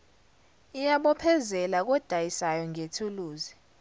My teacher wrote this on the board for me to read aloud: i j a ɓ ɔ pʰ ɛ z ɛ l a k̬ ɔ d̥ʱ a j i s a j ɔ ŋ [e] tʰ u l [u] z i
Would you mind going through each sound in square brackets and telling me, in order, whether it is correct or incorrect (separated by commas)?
correct, incorrect